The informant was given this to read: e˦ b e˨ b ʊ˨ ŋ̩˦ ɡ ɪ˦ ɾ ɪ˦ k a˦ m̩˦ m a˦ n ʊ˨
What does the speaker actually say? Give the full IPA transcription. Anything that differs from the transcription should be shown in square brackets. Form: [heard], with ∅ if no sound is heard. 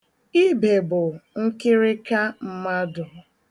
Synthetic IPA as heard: [i˦] b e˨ b ʊ˨ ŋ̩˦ [k] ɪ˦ ɾ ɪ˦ k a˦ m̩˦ m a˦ [d] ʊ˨